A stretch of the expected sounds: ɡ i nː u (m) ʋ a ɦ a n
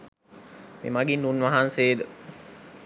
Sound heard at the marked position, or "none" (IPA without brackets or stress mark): n